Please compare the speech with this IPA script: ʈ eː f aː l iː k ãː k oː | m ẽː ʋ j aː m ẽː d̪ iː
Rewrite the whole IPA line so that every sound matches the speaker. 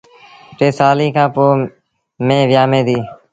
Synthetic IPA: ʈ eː s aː l iː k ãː p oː | m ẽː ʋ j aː m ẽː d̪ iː